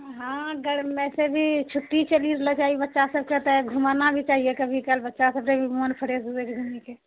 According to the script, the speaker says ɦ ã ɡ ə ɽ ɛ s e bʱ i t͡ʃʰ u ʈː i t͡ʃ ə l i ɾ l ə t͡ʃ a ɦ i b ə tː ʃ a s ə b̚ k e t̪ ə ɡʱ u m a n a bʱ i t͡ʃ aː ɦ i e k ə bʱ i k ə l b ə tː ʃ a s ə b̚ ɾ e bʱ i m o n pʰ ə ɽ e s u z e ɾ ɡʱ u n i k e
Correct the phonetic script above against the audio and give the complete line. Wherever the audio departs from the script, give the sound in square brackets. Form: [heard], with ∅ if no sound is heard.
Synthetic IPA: ɦ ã ɡ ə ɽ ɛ s e bʱ i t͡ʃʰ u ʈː i t͡ʃ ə l i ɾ l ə t͡ʃ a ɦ i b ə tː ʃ a s ə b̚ k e t̪ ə ɡʱ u m a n a bʱ i t͡ʃ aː ɦ i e k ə bʱ i k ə l b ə tː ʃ a s ə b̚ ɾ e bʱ i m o n pʰ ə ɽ e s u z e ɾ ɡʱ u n i k e